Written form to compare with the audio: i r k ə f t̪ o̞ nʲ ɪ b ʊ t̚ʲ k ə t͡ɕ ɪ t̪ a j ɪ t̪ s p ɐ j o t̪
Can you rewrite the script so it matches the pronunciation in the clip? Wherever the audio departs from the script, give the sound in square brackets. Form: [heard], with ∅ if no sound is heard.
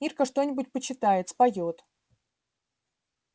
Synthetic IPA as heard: i r k ə [ʂ] t̪ o̞ nʲ ɪ b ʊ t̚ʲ [p] ə t͡ɕ ɪ t̪ a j ɪ t̪ s p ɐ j o t̪